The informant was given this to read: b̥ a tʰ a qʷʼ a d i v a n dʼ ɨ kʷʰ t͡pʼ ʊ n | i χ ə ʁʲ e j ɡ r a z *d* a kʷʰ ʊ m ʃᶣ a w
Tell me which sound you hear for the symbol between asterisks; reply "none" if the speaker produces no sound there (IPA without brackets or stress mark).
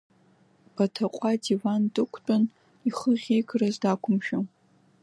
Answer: d